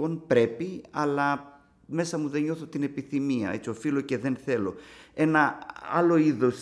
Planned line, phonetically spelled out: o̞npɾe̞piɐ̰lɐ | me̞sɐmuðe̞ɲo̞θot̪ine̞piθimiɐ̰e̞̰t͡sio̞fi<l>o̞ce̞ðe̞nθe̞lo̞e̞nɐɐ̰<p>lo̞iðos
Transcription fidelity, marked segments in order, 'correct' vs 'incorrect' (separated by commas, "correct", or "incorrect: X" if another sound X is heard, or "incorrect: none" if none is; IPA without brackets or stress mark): correct, incorrect: none